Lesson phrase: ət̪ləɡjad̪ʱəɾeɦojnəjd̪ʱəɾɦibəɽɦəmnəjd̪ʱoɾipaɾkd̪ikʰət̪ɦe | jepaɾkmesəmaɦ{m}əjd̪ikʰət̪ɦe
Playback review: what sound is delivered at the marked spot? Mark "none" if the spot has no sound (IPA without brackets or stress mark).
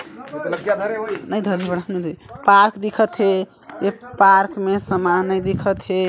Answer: n